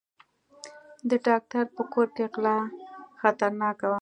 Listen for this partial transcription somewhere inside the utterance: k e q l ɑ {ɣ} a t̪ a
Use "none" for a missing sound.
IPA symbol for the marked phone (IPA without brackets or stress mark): x